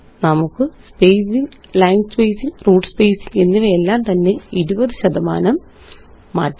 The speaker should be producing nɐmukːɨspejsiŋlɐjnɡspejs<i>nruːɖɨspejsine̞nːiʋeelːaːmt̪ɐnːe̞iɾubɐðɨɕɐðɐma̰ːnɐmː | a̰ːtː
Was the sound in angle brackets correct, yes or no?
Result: yes